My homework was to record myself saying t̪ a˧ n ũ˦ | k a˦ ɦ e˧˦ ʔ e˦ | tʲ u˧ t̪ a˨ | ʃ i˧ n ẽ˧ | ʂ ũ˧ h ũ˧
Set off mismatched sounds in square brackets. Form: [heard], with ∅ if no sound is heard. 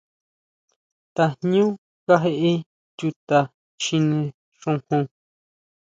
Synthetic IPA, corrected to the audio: t̪ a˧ [ɲ] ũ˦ | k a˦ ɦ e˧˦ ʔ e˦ | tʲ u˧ t̪ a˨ | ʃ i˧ n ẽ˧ | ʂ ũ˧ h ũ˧